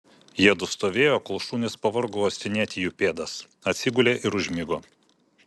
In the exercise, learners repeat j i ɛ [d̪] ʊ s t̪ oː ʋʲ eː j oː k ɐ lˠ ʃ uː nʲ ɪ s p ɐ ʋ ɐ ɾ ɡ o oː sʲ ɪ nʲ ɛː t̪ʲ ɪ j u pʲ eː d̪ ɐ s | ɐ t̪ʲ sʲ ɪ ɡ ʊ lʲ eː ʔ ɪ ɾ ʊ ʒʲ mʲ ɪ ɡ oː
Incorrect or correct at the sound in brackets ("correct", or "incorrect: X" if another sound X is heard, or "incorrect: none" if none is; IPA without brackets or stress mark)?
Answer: correct